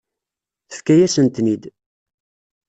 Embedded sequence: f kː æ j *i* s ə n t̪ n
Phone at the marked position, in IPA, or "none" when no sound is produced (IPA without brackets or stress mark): æ